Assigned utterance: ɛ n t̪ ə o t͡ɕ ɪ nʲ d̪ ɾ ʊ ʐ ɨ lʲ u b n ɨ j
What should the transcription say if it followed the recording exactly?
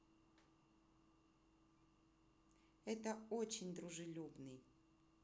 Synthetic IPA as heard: ɛ t̪ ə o t͡ɕ ɪ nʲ d̪ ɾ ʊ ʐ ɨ lʲ u b n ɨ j